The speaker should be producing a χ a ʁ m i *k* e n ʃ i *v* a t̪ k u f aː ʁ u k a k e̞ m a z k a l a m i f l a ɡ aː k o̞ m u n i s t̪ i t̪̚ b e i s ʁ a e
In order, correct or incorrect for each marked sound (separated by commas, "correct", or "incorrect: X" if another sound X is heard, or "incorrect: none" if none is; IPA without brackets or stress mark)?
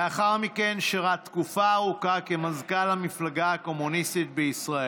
correct, incorrect: ʁ